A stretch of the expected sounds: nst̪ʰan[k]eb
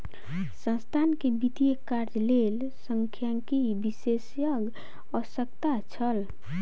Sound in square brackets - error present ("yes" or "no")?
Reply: no